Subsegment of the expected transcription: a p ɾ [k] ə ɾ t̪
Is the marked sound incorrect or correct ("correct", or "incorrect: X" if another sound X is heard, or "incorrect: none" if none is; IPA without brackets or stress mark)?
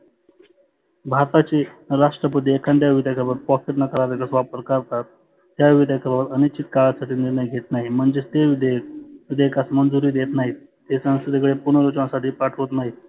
correct